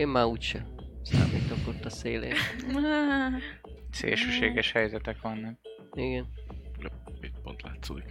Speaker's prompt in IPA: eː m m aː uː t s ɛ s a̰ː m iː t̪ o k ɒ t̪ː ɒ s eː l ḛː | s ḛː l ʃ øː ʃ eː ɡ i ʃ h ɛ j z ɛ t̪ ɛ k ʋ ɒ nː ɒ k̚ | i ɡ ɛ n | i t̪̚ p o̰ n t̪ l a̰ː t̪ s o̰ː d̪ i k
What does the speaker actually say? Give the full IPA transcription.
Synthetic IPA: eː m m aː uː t ʃ ɛ s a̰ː m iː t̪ o k o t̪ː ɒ s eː l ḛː | s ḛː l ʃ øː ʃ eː ɡ ɛ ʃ h ɛ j z ɛ t̪ ɛ k ʋ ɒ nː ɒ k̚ | i ɡ ɛ n | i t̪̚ p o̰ n t̪ l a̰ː t̪ s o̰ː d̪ i k